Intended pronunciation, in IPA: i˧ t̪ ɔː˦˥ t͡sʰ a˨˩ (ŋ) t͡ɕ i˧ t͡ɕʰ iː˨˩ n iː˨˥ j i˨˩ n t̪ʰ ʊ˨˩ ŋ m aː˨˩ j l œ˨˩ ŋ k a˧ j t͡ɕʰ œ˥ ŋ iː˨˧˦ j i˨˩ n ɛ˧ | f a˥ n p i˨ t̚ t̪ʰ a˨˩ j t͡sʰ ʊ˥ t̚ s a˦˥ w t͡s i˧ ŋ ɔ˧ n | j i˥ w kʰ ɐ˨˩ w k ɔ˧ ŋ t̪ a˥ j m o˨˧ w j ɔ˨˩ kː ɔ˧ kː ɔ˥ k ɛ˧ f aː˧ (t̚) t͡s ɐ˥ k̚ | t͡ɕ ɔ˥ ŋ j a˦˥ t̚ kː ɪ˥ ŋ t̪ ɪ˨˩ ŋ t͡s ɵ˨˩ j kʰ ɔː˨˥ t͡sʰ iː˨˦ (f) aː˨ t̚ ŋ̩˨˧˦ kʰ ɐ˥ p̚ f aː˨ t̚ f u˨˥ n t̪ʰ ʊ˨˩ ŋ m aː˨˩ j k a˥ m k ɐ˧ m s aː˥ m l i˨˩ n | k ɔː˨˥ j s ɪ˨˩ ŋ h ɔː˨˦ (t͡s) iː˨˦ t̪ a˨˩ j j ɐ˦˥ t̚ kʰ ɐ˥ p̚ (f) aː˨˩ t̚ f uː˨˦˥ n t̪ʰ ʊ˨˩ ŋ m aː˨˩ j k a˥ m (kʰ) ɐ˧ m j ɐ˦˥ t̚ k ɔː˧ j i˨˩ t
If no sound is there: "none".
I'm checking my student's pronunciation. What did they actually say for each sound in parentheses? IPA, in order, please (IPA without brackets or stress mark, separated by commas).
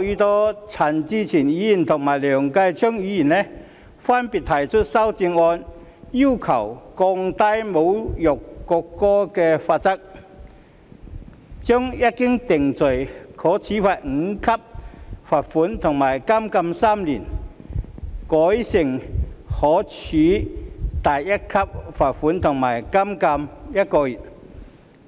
n, t̚, f, t͡sʰ, f, k